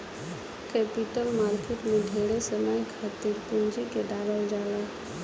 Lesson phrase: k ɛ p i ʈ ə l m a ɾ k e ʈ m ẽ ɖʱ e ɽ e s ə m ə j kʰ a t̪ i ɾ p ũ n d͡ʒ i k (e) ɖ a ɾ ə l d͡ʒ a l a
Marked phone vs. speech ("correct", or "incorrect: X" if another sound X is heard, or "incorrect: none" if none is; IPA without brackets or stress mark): correct